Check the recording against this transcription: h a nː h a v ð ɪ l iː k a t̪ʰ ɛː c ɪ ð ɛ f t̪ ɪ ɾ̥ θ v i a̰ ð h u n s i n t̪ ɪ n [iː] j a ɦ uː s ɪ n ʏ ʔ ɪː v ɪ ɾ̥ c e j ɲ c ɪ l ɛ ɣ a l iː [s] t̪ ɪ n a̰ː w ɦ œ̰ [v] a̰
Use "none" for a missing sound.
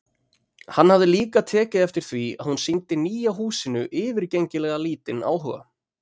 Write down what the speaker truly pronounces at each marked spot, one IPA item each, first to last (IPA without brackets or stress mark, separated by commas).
iː, none, ɣ